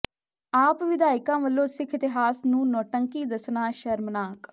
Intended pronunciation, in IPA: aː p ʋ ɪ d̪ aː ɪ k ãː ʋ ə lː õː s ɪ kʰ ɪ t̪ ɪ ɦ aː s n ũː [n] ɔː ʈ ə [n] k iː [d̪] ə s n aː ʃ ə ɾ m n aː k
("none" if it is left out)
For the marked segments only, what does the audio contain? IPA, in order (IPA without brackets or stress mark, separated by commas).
n, ŋ, d̪